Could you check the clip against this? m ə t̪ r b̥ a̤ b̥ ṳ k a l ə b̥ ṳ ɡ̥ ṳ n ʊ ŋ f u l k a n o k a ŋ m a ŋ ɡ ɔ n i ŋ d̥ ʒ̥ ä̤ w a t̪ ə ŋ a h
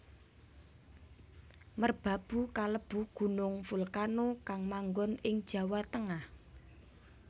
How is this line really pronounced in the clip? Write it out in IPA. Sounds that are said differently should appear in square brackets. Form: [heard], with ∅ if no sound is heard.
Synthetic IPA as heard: m ə [∅] r b̥ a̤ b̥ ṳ k a l ə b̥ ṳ ɡ̥ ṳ n ʊ ŋ f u l k a n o k a ŋ m a ŋ ɡ ɔ n [ɪ] ŋ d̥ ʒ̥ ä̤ w a t̪ ə ŋ a h